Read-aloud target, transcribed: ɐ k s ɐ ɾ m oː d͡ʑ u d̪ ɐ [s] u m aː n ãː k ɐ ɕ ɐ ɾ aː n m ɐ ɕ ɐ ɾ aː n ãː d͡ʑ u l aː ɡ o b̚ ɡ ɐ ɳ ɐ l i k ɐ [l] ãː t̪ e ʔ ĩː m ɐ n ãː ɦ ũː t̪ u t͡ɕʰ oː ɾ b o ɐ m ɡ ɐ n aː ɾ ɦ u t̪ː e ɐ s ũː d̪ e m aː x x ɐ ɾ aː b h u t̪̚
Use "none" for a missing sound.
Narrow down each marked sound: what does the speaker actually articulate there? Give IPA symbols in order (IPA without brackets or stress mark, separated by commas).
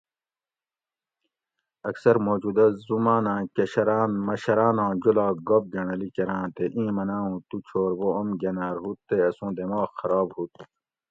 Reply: z, ɾ